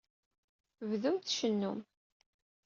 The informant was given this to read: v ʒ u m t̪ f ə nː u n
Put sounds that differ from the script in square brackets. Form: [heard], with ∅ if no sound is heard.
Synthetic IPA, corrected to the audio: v [ð] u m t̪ [ʃ] ə nː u [m]